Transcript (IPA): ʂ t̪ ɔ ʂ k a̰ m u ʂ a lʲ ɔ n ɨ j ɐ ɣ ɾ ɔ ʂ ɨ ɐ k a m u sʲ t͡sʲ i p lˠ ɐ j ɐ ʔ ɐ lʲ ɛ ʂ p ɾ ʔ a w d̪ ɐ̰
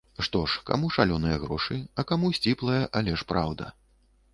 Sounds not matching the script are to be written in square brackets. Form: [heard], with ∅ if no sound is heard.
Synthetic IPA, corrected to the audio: ʂ t̪ ɔ ʂ k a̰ m u ʂ a lʲ ɔ n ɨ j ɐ ɣ ɾ ɔ ʂ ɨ ɐ k a m u sʲ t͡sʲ i p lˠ ɐ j ɐ ʔ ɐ lʲ ɛ ʂ p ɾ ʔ a w d̪ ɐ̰